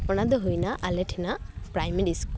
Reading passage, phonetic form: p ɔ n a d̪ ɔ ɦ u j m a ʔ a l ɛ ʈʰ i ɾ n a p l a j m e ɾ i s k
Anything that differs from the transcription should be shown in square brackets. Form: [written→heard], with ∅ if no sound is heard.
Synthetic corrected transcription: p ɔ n a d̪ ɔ ɦ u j [m→n] a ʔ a l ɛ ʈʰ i [ɾ→∅] n a p [l→ɾ] a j m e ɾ i s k